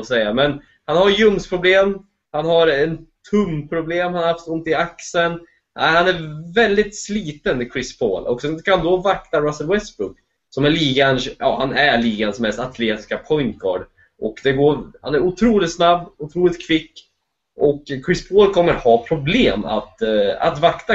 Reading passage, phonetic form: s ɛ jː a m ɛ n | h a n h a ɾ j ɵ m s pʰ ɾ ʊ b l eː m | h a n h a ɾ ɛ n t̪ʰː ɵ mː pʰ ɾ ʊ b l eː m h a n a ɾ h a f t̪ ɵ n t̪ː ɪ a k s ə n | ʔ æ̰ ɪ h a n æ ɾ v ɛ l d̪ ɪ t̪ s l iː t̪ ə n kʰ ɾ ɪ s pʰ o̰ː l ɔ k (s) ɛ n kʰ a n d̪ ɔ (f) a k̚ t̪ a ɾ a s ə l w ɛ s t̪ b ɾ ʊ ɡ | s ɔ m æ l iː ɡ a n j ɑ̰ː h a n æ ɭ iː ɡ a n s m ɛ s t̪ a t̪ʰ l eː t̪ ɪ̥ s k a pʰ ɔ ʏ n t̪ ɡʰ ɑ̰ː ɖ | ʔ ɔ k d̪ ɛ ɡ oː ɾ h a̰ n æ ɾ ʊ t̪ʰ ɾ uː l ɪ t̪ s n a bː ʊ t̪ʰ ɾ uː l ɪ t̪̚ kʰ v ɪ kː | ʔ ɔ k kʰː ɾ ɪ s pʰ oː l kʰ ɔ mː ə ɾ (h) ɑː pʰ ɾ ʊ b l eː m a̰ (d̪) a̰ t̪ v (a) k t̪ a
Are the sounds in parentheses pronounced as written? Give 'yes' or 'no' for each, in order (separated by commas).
yes, no, yes, no, yes